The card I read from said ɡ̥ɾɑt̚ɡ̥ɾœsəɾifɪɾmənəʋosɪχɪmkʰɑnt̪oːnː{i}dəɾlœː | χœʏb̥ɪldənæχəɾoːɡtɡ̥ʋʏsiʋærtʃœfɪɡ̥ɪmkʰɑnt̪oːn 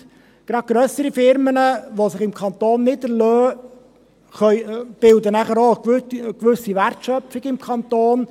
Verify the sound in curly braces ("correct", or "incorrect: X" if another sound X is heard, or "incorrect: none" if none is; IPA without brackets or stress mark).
incorrect: ɪ